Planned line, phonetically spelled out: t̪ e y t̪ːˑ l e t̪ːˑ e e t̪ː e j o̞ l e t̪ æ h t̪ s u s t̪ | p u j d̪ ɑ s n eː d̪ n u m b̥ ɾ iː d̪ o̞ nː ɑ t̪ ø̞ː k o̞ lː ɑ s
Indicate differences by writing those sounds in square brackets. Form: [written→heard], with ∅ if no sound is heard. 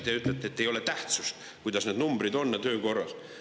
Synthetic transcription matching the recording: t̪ e y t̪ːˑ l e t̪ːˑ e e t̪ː e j o̞ l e t̪ æ h t̪ s u s t̪ | [p→k] u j d̪ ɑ s n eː d̪ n u m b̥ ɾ [iː→i] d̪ o̞ nː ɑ t̪ ø̞ː k o̞ [lː→rː] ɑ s